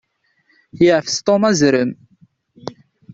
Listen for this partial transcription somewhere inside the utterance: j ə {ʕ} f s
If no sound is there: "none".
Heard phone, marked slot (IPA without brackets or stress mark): ʕ